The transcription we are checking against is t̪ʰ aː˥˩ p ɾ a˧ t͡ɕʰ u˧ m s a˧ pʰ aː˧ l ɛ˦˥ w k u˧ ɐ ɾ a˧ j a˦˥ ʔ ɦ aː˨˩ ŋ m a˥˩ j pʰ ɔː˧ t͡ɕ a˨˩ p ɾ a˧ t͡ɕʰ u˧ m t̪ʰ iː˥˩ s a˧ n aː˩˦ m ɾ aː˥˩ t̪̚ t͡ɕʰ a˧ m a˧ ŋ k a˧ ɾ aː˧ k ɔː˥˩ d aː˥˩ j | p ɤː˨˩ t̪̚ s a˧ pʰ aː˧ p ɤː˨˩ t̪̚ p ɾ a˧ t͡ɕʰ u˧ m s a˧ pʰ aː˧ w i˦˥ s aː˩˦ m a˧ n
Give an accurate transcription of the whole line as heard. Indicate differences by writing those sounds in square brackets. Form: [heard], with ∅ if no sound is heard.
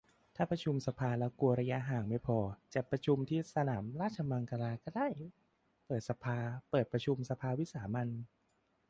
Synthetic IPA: t̪ʰ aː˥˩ p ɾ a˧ t͡ɕʰ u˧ m s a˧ pʰ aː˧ l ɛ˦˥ w k u˧ ɐ ɾ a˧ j a˦˥ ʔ ɦ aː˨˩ ŋ m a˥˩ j pʰ ɔː˧ t͡ɕ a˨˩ p ɾ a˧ t͡ɕʰ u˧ m t̪ʰ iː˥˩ s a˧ n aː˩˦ m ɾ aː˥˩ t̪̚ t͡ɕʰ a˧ m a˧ ŋ k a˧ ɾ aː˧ k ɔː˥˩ d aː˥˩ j | p ɤː˨˩ t̪̚ s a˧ pʰ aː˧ p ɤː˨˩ t̪̚ p ɾ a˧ t͡ɕʰ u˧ m s a˧ pʰ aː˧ w i˦˥ s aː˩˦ m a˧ n